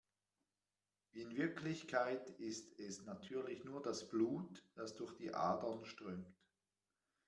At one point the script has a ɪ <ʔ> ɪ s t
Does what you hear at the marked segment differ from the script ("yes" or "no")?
yes